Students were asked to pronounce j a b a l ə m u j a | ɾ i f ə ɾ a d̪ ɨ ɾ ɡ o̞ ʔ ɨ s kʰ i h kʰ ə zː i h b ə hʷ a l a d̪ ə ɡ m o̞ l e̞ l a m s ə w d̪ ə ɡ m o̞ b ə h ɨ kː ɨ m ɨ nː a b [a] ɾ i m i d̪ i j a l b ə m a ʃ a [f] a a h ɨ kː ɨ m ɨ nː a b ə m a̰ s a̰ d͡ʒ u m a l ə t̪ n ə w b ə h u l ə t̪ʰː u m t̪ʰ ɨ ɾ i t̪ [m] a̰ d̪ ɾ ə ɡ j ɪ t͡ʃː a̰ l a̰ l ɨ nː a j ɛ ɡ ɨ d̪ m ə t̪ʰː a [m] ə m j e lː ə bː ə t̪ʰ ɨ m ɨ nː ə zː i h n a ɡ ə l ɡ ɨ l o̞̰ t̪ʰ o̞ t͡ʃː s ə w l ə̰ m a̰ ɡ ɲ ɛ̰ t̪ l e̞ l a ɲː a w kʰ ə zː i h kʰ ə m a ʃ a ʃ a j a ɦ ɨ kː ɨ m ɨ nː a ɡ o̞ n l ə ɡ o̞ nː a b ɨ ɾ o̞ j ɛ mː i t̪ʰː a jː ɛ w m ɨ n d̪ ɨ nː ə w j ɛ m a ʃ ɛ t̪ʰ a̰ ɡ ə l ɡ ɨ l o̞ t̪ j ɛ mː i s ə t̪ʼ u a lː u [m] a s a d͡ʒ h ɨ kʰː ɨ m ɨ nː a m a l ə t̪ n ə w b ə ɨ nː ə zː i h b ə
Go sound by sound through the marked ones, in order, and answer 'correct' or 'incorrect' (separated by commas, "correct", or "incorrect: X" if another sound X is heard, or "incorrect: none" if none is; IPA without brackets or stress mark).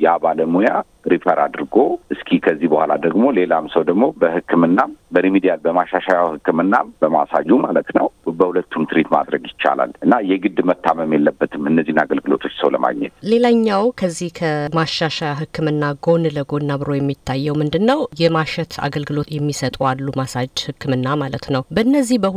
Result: incorrect: ə, incorrect: ʃ, correct, correct, correct